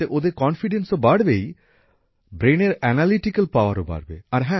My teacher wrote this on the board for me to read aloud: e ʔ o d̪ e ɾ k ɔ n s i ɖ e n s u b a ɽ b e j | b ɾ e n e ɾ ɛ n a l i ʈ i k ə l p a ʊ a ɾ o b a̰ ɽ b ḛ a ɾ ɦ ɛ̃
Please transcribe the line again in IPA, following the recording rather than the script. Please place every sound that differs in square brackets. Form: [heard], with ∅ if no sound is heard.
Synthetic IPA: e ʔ o d̪ e ɾ k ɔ n [f] i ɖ e n s [o] b a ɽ b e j | b ɾ e n e ɾ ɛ n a l i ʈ i k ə l p a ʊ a ɾ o b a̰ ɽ b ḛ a ɾ ɦ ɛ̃